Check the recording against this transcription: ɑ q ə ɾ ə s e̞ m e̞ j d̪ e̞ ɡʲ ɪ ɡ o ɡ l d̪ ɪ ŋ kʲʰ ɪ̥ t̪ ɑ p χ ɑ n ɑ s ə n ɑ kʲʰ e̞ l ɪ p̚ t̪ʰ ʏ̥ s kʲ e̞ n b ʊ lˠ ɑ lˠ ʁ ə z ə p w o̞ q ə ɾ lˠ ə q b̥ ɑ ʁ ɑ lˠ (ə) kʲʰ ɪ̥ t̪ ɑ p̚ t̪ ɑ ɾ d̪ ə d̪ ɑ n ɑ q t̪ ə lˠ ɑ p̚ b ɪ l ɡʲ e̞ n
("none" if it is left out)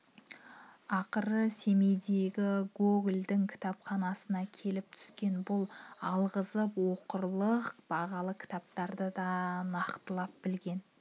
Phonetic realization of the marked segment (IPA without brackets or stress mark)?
ə